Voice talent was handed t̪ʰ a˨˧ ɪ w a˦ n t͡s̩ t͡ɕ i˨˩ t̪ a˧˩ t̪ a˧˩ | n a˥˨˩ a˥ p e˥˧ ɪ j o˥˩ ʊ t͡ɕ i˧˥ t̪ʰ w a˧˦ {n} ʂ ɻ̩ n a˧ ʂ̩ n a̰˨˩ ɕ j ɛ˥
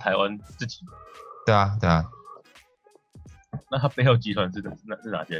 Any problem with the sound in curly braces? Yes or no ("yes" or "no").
no